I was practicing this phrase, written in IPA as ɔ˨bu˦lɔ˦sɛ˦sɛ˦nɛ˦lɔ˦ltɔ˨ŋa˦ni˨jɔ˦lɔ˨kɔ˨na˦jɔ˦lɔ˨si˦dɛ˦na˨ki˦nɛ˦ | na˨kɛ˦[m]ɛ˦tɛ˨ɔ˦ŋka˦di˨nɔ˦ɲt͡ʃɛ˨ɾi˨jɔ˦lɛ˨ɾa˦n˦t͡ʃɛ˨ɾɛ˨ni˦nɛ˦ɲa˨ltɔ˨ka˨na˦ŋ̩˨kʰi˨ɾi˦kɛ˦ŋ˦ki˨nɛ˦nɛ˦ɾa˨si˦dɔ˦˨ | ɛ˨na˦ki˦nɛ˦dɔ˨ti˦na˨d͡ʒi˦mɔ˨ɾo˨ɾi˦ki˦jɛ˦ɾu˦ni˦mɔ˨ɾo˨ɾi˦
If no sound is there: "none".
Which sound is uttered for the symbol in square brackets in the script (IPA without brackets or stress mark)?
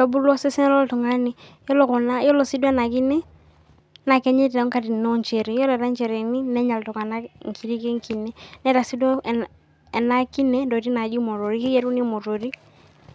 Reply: ɲ